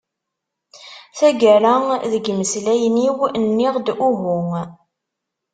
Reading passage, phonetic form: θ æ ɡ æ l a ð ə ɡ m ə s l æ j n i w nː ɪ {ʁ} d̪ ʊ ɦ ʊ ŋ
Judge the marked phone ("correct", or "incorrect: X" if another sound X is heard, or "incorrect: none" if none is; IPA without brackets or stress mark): correct